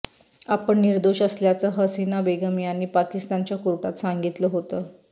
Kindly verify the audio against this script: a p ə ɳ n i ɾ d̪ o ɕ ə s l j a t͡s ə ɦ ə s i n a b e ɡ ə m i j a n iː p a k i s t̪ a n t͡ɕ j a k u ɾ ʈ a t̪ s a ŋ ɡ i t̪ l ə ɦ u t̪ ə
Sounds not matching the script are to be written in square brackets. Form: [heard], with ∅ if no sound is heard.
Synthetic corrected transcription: a p ə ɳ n i ɾ d̪ o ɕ ə s l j a t͡s ə ɦ ə s i n a b e ɡ ə m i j a n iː p a k i s t̪ a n t͡ɕ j a k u ɾ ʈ a t̪ s a ŋ ɡ i t̪ l ə ɦ [o] t̪ ə